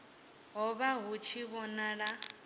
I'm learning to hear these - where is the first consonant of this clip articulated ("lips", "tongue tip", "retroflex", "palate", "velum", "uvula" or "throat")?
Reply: throat